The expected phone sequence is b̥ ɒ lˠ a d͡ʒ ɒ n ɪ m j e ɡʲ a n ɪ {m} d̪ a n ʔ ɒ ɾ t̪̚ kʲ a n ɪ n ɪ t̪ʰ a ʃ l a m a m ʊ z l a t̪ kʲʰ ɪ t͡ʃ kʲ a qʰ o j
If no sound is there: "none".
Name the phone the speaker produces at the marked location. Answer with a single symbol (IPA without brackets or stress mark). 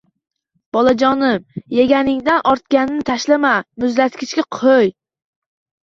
ŋ